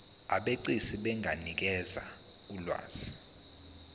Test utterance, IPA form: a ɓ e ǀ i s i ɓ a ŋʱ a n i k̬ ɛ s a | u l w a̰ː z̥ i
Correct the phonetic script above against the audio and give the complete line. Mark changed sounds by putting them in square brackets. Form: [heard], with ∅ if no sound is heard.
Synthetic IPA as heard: a ɓ e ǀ i s i ɓ [ɛ] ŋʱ a n i k̬ ɛ [z] a | u l w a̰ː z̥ i